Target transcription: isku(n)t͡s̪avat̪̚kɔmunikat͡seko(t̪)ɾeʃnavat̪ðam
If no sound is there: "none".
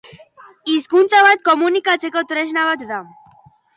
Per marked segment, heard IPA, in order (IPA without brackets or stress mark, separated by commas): n, t̪